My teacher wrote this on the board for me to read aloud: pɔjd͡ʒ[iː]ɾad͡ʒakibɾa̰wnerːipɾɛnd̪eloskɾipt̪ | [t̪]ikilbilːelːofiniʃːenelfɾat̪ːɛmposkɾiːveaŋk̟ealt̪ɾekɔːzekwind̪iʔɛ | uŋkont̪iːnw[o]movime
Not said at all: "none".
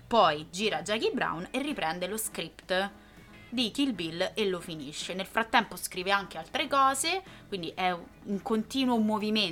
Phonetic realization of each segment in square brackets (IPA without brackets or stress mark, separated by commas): iː, d̪, o